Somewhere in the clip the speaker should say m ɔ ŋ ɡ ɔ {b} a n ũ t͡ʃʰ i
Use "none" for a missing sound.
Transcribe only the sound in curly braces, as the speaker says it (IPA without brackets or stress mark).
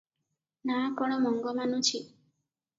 m